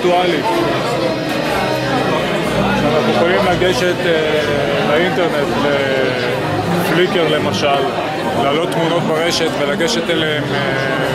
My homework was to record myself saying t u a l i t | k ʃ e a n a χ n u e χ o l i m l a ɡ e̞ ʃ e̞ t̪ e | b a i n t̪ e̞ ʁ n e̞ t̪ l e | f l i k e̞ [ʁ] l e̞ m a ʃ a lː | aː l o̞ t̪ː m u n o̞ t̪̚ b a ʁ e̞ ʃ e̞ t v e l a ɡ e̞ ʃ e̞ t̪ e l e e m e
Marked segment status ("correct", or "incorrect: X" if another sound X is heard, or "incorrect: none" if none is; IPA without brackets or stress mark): correct